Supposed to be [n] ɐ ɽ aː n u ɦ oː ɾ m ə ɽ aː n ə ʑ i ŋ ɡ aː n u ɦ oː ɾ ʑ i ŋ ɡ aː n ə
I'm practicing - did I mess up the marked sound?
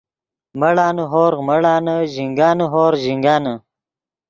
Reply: yes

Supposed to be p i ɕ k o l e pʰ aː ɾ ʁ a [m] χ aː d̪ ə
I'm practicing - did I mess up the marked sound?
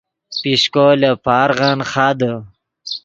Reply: yes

